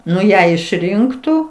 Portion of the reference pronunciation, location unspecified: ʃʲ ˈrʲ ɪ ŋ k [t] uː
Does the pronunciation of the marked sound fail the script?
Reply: no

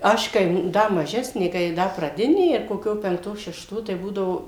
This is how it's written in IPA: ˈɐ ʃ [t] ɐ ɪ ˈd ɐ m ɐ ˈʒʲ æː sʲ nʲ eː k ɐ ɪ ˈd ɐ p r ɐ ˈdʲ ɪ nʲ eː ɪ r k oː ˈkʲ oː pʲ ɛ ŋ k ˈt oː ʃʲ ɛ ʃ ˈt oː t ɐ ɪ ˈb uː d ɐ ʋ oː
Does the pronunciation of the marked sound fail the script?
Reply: yes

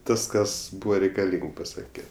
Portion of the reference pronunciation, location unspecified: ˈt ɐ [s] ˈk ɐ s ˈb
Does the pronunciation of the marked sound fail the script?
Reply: no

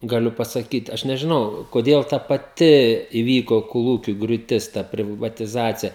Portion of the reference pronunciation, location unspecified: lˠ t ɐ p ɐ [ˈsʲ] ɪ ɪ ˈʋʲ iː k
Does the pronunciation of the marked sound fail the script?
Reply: yes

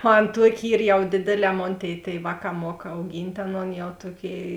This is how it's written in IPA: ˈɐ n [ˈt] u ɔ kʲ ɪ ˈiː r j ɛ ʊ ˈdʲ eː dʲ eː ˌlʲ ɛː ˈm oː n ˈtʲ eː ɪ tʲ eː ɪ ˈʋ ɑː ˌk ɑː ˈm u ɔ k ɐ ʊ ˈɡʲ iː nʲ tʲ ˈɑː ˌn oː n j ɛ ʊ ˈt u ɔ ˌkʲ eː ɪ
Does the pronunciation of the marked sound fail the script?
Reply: no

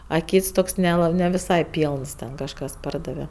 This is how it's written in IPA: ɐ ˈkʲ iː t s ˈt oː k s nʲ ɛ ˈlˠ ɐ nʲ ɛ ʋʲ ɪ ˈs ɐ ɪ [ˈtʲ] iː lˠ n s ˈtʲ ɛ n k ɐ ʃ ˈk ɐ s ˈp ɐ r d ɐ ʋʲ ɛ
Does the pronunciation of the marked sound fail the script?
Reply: yes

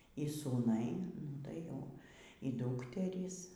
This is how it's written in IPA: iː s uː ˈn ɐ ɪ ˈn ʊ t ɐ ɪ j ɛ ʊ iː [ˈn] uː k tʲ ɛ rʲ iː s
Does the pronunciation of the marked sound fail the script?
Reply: yes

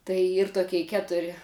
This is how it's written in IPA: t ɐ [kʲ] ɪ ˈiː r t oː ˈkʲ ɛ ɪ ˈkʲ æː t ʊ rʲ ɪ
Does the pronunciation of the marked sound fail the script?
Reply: yes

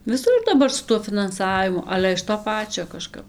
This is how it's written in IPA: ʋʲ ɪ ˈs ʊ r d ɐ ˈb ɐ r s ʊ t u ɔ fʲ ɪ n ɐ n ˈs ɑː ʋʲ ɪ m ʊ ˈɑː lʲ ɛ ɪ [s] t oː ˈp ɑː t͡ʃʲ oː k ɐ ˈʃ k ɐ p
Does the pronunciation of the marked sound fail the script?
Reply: yes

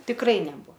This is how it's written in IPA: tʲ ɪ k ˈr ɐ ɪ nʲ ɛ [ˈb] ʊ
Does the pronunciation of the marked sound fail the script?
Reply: no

